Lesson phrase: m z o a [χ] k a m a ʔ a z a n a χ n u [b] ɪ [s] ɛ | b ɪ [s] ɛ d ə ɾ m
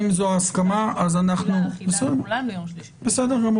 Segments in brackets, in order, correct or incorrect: incorrect: s, correct, correct, correct

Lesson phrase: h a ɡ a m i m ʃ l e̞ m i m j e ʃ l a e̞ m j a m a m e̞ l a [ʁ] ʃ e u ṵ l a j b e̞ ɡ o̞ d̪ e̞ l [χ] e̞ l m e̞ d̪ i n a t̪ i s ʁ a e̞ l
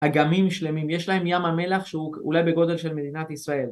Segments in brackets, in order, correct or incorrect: incorrect: χ, incorrect: ʃ

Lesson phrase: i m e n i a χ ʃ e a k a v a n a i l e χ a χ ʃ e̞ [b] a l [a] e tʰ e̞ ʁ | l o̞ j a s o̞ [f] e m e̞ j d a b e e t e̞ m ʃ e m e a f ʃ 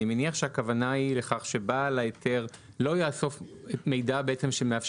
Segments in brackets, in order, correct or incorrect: correct, correct, correct

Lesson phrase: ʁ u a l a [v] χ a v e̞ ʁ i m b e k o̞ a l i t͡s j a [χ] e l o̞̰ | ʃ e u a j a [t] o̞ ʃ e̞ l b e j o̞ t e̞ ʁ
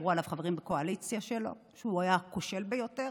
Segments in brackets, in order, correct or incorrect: correct, incorrect: ʃ, incorrect: k

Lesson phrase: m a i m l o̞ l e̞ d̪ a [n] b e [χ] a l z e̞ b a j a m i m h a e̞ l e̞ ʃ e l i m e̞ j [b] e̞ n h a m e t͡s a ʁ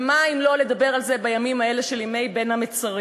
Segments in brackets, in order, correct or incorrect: incorrect: none, incorrect: ʁ, correct

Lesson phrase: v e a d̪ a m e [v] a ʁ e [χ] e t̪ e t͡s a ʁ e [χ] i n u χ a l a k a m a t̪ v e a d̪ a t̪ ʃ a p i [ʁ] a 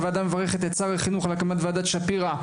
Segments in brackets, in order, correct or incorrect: correct, correct, correct, correct

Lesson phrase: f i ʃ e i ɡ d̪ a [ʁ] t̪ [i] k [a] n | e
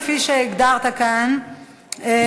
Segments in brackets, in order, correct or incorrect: correct, incorrect: a, correct

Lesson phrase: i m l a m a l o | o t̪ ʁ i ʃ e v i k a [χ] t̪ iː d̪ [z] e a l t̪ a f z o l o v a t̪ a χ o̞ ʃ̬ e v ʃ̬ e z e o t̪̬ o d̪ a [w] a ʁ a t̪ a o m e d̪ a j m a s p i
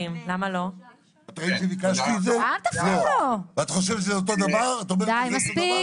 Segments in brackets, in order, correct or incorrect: incorrect: ʃ, correct, incorrect: v

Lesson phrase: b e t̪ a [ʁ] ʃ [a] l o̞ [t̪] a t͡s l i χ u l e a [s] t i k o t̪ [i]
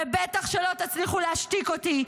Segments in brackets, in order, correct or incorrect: incorrect: χ, incorrect: e, correct, incorrect: ʃ, correct

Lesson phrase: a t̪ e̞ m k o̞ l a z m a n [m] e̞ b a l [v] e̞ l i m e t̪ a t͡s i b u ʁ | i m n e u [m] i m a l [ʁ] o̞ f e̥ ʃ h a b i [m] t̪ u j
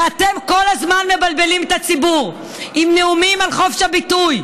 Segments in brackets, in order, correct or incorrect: correct, incorrect: b, correct, incorrect: χ, incorrect: none

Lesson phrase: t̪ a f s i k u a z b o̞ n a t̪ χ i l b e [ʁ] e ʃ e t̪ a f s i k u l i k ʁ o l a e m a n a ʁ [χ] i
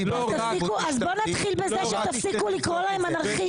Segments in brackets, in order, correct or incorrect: incorrect: z, correct

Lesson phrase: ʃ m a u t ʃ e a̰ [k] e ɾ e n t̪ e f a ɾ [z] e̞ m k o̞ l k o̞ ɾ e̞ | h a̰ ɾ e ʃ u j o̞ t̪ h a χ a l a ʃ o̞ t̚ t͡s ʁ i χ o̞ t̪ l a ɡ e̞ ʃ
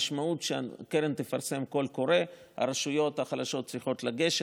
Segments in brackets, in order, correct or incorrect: correct, incorrect: s

